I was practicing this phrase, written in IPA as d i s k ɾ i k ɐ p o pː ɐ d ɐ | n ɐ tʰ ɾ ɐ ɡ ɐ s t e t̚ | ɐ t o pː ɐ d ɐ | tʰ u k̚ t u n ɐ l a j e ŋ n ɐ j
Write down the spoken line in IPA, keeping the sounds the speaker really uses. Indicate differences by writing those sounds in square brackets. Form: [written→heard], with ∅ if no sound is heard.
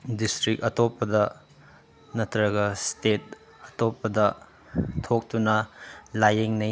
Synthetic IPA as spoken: d i s [k→t] ɾ i k ɐ [p→t] o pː ɐ d ɐ | n ɐ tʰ ɾ ɐ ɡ ɐ s t e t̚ | ɐ t o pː ɐ d ɐ | tʰ [u→o] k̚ t u n ɐ l a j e ŋ n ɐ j